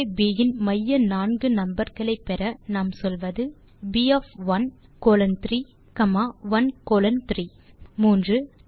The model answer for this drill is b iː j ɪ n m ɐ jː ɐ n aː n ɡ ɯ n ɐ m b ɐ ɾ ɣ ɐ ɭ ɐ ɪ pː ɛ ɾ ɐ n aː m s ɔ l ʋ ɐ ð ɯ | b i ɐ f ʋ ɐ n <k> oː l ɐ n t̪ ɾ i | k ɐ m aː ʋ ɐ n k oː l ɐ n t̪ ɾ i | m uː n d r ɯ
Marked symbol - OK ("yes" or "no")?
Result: yes